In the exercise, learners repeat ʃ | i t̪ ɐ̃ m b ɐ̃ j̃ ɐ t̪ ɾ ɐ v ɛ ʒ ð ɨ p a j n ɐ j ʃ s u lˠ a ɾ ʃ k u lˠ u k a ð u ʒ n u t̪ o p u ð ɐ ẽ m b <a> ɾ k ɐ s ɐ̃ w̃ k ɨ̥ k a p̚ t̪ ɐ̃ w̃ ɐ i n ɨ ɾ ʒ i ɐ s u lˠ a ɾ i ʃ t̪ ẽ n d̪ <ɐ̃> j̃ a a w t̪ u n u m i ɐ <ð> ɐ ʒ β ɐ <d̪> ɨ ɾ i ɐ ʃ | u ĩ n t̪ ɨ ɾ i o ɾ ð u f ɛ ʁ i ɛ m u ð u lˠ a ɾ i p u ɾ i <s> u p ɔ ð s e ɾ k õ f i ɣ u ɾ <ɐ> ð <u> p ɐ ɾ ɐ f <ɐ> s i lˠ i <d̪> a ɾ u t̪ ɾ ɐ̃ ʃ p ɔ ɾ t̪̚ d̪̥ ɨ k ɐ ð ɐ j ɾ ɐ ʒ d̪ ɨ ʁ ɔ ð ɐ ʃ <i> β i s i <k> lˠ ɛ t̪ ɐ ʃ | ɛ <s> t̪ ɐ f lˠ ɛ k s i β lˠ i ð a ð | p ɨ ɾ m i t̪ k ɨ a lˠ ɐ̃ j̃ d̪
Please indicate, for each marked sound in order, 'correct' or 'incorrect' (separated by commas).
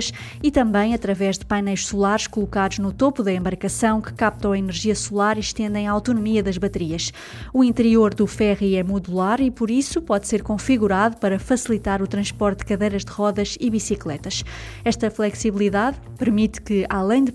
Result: incorrect, correct, correct, incorrect, correct, incorrect, correct, correct, incorrect, correct, correct, incorrect